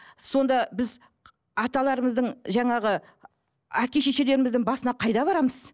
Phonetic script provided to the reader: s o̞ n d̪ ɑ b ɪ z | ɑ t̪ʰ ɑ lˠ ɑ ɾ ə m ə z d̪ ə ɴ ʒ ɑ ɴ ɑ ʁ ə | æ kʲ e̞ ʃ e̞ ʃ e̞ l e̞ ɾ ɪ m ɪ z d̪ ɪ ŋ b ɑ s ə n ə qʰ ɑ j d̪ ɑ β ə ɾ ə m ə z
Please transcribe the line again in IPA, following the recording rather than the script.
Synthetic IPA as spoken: s o̞ n d̪ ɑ b ɪ z | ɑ t̪ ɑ lˠ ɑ ɾ ə m ə z d̪ ə ɴ ʒ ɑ ɴ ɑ ʁ ə | æ kʲ e̞ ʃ e̞ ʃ e̞ l e̞ ɾ ɪ m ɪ z d̪ ɪ ŋ b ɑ s ə n ɑ qʰ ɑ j d̪ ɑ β ɑ ɾ ɑ m ə z